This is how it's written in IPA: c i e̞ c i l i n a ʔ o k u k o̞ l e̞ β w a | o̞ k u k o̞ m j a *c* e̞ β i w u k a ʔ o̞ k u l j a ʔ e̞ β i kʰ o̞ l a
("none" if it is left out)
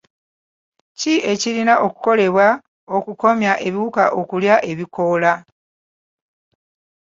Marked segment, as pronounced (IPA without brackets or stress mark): ʔ